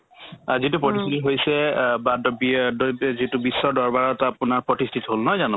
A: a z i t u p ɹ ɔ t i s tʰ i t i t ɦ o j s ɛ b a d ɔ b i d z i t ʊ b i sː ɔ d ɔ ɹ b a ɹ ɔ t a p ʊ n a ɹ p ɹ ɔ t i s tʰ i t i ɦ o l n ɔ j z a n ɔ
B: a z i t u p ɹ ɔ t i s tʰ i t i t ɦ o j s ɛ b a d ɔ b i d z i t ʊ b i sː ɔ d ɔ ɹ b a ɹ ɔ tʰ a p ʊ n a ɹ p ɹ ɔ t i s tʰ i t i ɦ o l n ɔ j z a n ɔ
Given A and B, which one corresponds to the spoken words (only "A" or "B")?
A